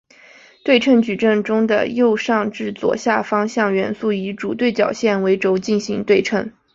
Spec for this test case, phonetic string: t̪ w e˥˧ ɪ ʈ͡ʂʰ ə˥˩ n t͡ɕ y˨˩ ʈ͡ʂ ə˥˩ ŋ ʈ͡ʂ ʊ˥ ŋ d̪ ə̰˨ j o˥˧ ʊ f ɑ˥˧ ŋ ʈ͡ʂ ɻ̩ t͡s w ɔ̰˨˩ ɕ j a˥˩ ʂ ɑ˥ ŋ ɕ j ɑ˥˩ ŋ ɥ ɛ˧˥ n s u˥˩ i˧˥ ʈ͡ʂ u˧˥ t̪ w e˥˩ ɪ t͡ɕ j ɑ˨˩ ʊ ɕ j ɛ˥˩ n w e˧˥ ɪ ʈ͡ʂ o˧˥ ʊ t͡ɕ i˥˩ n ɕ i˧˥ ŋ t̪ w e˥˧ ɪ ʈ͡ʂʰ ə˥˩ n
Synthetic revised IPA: t̪ w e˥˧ ɪ ʈ͡ʂʰ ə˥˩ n t͡ɕ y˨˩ ʈ͡ʂ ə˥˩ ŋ ʈ͡ʂ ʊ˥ ŋ d̪ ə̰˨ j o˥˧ ʊ ʂ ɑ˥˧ ŋ ʈ͡ʂ ɻ̩ t͡s w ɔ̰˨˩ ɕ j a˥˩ f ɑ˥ ŋ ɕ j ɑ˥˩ ŋ ɥ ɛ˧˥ n s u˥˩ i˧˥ ʈ͡ʂ u˨˩ t̪ w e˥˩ ɪ t͡ɕ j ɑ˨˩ ʊ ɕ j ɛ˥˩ n w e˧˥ ɪ ʈ͡ʂ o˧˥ ʊ t͡ɕ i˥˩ n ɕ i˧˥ ŋ t̪ w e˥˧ ɪ ʈ͡ʂʰ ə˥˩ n